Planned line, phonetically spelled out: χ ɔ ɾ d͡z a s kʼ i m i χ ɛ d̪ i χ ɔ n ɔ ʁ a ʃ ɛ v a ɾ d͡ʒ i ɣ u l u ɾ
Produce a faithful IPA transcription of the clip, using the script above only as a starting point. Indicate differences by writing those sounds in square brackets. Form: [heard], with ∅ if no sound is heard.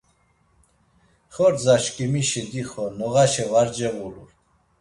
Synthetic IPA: χ ɔ ɾ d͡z a [ʃ] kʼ i m i [ʃ] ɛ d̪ i χ ɔ n ɔ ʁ a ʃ ɛ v a ɾ d͡ʒ [ɛ] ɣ u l u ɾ

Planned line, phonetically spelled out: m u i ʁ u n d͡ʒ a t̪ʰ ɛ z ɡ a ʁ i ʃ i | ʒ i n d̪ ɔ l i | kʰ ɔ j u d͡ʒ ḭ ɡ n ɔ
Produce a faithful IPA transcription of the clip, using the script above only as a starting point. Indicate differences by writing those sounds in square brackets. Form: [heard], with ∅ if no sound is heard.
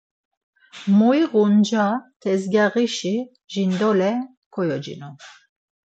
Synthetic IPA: m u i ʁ u n d͡ʒ a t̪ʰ ɛ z ɡ a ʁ i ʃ i | ʒ i n d̪ ɔ l [ɛ] | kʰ ɔ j [ɔ] d͡ʒ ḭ [∅] n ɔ

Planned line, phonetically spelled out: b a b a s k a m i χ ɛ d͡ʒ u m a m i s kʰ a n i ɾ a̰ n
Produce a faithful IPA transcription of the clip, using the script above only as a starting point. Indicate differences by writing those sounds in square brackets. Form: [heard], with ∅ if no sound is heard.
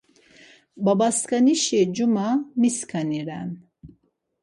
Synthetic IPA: b a b a s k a [n] i [ʃ] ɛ d͡ʒ u m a m i s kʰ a n i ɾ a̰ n

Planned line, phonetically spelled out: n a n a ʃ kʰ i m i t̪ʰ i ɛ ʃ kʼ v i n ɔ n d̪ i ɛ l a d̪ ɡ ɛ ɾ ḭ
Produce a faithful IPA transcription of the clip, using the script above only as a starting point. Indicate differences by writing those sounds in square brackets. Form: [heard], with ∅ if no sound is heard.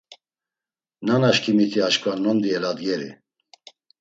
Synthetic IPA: n a n a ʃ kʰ i m i t̪ʰ i [a] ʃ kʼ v [a] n ɔ n d̪ i ɛ l a d̪ ɡ ɛ ɾ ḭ

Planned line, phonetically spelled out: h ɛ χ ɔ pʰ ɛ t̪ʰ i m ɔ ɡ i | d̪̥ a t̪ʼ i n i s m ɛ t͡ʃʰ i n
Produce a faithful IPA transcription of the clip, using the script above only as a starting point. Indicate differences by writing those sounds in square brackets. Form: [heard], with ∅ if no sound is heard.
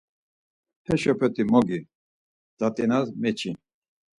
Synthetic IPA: h ɛ [ʃ] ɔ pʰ ɛ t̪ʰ i m ɔ ɡ i | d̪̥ a t̪ʼ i n [a] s m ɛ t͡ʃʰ i n

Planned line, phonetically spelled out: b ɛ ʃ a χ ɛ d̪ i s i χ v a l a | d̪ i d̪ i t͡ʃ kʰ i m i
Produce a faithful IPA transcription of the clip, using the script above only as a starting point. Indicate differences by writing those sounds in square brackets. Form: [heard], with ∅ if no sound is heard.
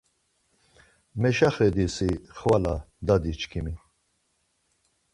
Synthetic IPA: [m] ɛ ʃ a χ ɛ d̪ i s i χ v a l a | d̪ [a] d̪ i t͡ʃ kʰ i m i

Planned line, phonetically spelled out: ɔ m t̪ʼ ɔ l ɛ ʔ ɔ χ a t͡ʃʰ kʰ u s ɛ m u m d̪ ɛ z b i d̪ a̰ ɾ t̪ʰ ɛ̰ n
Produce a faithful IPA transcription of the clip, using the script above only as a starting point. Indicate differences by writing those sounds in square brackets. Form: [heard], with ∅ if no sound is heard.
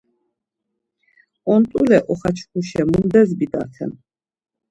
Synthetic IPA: ɔ [n] t̪ʼ [u] l ɛ ʔ ɔ χ a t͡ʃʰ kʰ u [ʃ] ɛ m u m d̪ ɛ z b i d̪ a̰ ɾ t̪ʰ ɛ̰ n

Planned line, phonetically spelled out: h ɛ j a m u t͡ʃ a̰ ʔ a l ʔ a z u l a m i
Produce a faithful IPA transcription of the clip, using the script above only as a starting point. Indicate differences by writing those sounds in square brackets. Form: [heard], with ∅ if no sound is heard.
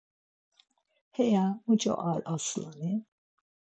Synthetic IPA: h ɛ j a m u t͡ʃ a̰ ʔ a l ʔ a [s] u l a [n] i

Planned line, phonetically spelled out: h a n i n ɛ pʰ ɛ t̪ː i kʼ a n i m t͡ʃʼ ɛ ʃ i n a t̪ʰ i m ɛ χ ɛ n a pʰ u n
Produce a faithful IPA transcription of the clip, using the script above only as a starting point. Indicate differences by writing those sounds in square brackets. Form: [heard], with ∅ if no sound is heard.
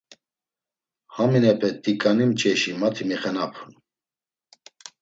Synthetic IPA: h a [m] i n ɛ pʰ ɛ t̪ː i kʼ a n i m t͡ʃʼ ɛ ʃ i [m] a t̪ʰ i m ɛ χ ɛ n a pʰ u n

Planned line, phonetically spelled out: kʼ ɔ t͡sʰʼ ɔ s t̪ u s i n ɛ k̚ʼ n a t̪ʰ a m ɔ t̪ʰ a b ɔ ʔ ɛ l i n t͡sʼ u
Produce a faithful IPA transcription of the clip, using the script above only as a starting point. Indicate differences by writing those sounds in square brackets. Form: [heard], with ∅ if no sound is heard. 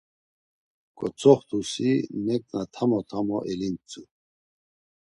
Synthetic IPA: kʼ ɔ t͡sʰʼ ɔ [χ] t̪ u s i n ɛ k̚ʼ n a t̪ʰ a m ɔ t̪ʰ a [m] ɔ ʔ ɛ l i n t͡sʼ u

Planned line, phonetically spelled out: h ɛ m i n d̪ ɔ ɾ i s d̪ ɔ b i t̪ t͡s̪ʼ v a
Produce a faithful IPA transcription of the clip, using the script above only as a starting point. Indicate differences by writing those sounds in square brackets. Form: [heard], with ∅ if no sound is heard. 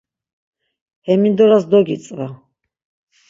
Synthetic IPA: h ɛ m i n d̪ ɔ ɾ [a] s d̪ ɔ [ɡ] i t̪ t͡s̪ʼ v a

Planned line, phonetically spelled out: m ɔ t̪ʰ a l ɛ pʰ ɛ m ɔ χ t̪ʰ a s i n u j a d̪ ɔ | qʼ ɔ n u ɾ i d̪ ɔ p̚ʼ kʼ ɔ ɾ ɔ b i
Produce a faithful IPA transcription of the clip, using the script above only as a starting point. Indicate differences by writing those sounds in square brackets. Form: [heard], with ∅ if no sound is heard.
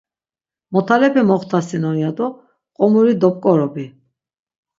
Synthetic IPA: m ɔ t̪ʰ a l ɛ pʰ ɛ m ɔ χ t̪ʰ a s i n [ɔ] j a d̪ ɔ | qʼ ɔ [m] u ɾ i d̪ ɔ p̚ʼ kʼ ɔ ɾ ɔ b i

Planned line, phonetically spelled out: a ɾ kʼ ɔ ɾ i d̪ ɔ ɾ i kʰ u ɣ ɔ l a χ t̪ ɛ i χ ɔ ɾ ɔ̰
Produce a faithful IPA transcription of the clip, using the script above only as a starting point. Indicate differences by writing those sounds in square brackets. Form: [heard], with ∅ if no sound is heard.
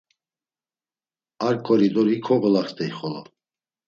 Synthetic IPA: a ɾ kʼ ɔ ɾ i d̪ ɔ ɾ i kʰ [ɔ] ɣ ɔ l a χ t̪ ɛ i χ ɔ [l] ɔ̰

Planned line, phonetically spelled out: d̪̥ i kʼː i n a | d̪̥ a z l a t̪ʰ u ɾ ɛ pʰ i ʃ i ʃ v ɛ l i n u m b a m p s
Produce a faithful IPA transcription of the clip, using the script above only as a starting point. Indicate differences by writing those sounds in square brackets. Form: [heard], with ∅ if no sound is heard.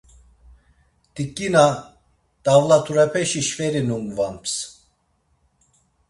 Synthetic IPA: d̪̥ i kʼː i n a | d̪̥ a [v] l a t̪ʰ u ɾ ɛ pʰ [ɛ] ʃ i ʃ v ɛ [ɾ] i n u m [v] a m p s

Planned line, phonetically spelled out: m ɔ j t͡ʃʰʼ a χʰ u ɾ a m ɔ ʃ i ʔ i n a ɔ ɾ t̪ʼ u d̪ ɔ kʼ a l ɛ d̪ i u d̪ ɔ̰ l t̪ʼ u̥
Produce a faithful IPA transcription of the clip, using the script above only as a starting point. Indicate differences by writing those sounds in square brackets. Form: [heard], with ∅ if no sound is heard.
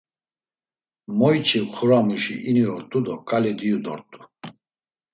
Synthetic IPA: m ɔ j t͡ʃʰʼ [i] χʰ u ɾ a m [u] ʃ i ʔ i n [i] ɔ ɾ t̪ʼ u d̪ ɔ kʼ a l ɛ d̪ i u d̪ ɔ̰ [ɾ] t̪ʼ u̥

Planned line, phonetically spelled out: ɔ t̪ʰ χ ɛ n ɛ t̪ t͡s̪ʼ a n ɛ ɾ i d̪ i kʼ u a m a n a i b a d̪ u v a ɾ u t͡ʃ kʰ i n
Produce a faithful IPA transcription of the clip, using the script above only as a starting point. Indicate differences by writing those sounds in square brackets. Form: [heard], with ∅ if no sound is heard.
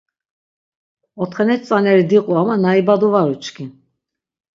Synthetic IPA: ɔ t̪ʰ χ ɛ n ɛ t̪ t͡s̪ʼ a n ɛ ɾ i d̪ i [qʼ] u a m a n a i b a d̪ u v a ɾ u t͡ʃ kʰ i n

